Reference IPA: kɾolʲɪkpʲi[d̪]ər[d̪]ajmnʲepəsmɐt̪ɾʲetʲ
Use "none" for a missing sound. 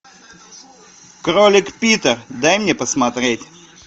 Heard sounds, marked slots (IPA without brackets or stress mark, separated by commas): t̪, d̪